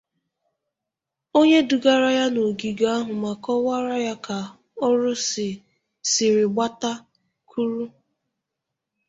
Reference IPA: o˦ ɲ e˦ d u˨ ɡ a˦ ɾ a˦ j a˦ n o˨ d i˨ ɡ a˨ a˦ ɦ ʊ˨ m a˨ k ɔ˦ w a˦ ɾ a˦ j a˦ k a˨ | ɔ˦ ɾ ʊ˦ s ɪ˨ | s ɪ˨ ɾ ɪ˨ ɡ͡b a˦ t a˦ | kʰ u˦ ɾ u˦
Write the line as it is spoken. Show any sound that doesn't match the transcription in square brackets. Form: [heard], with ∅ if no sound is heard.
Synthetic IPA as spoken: o˦ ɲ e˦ d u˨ ɡ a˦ ɾ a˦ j a˦ n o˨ [ɡ] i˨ ɡ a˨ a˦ ɦ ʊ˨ m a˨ k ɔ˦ w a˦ ɾ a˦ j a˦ k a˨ | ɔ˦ ɾ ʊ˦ s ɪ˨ | s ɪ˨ ɾ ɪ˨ ɡ͡b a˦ t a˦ | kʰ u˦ ɾ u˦